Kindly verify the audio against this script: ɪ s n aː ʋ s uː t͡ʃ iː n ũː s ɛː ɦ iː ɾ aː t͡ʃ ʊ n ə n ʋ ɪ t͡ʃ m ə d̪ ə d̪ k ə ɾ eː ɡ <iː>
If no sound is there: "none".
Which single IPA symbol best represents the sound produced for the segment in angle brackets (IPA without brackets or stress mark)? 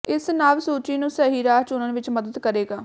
aː